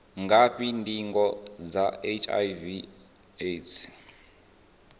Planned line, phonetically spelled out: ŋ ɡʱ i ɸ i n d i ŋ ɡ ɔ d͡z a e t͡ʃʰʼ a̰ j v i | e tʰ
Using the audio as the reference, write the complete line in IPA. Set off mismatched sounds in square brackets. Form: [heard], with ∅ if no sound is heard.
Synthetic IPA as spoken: ŋ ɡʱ [a] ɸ i n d i ŋ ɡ ɔ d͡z a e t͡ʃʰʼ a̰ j v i | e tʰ

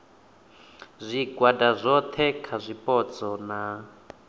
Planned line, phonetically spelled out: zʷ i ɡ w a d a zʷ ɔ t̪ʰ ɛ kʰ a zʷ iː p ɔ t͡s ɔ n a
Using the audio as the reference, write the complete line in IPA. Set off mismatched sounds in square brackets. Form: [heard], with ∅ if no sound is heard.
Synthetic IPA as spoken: zʷ i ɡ w a d a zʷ ɔ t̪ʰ ɛ kʰ a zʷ [i] p ɔ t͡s ɔ n a

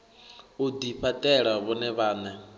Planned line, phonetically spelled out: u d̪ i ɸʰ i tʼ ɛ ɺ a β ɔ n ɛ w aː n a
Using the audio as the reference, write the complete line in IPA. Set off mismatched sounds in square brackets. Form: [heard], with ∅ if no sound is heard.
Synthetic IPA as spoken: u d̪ i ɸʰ [a] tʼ ɛ ɺ a β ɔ n ɛ [β] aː n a

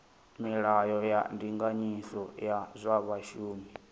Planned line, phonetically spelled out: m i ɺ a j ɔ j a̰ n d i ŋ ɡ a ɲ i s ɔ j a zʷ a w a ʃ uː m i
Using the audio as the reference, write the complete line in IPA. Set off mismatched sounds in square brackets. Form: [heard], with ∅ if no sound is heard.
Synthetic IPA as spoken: m i ɺ a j ɔ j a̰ n d i ŋ ɡ a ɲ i s ɔ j a zʷ a [β] a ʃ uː m i

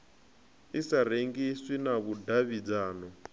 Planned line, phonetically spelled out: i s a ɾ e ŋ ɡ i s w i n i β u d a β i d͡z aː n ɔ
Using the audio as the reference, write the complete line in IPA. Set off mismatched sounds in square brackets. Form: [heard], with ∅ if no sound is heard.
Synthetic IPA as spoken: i s a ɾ e ŋ ɡ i s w i n [a] β u d a β i d͡z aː n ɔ

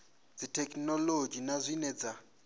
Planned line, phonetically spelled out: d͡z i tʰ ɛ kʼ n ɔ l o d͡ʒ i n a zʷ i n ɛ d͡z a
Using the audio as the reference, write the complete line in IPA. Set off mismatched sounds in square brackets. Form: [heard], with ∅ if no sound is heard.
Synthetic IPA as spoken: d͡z i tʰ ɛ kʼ n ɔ l o d͡ʒ i n a zʷ i n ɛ d͡z a

